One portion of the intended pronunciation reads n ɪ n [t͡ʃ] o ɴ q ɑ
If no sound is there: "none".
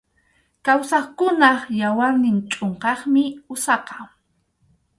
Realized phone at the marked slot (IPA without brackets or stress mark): t͡ʃʼ